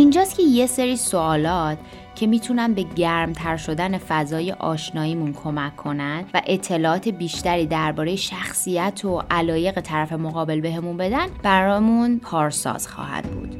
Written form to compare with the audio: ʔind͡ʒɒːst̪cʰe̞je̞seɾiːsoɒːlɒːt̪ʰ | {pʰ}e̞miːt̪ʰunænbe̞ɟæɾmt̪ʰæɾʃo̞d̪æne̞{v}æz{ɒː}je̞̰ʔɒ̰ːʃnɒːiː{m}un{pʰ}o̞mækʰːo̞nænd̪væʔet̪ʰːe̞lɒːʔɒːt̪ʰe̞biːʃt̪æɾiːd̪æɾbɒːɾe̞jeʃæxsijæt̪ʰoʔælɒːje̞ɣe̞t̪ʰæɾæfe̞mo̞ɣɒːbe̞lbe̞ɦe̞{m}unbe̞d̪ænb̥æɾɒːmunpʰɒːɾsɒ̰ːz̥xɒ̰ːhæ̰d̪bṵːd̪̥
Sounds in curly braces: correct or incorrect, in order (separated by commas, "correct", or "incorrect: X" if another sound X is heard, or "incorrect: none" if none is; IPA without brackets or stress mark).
incorrect: cʰ, incorrect: f, correct, correct, incorrect: kʰ, correct